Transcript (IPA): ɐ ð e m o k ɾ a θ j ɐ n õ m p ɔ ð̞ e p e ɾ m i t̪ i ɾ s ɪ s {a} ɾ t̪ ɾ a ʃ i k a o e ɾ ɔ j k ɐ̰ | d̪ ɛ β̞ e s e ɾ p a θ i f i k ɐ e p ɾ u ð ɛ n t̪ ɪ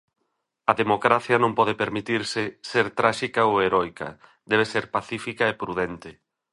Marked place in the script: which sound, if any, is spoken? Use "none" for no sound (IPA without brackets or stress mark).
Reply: e